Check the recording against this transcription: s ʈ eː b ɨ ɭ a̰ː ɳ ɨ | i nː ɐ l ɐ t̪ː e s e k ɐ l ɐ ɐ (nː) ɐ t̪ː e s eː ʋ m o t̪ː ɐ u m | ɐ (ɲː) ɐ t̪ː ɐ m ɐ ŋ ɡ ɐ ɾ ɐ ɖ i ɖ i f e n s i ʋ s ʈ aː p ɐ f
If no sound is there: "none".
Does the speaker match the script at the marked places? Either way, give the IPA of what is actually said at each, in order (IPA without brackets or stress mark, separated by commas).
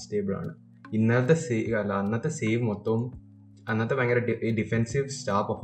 nː, nː